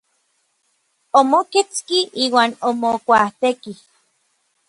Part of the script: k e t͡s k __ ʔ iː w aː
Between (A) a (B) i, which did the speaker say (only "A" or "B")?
B